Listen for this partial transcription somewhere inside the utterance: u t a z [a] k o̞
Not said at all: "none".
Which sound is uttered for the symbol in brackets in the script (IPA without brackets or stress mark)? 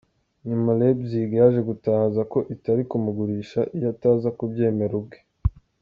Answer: a